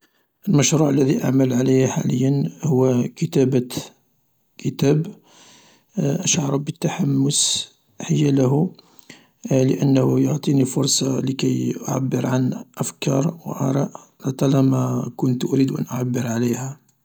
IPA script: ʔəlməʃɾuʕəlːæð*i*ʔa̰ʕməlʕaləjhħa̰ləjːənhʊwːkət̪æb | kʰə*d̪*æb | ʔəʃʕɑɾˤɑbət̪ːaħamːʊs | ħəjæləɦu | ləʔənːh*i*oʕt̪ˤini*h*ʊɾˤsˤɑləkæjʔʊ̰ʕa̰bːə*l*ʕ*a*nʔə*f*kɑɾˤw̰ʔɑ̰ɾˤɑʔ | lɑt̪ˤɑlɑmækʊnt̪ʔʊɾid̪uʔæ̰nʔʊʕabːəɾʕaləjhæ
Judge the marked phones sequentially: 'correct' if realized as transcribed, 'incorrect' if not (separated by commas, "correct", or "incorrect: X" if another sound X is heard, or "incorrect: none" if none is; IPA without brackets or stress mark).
correct, incorrect: t̪, incorrect: j, incorrect: f, incorrect: ɾ, correct, correct